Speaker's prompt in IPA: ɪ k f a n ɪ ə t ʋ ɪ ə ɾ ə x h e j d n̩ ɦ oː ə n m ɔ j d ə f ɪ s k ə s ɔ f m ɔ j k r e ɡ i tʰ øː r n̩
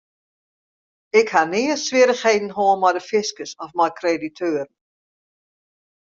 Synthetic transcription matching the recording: ɪ k h a n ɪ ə s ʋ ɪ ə ɾ ə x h e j d n̩ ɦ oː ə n m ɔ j d ə f ɪ s k ə s ɔ f m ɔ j k r e d i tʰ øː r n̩